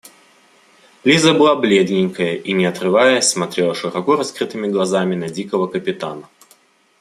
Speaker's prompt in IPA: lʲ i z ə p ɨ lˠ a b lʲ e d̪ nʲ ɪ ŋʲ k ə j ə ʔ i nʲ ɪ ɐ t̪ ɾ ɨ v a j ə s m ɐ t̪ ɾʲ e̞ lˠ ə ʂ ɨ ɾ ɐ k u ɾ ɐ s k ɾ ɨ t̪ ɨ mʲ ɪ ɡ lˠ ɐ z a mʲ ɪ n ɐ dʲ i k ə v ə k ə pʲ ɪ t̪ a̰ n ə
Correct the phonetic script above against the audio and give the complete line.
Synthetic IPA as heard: lʲ i z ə b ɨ lˠ a b lʲ e d̪ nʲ ɪ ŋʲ k ə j ə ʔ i nʲ ɪ ɐ t̪ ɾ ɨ v a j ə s m ɐ t̪ ɾʲ e̞ lˠ ə ʂ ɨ ɾ ɐ k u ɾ ɐ s k ɾ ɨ t̪ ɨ mʲ ɪ ɡ lˠ ɐ z a mʲ ɪ n ɐ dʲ i k ə v ə k ə pʲ ɪ t̪ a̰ n ə